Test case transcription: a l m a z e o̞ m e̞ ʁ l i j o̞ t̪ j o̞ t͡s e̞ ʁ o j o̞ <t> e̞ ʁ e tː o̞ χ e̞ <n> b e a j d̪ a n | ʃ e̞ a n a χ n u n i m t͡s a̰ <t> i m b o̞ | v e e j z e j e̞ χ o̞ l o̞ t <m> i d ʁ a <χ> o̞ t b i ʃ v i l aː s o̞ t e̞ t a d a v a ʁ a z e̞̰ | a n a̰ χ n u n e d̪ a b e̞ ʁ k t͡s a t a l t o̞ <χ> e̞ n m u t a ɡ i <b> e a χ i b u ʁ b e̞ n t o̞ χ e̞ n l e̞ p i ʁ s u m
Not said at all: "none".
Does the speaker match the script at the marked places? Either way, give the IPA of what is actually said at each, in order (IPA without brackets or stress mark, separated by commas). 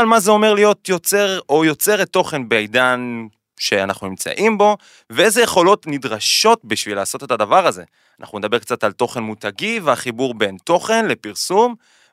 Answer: t͡s, n, ʔ, n, ʃ, χ, v